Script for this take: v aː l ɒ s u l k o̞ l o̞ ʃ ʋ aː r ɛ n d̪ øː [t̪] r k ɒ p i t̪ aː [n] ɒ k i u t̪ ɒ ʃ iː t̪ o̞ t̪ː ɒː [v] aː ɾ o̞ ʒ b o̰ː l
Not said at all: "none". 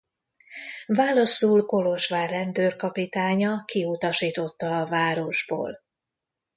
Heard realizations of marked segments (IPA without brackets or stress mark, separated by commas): none, ɲ, v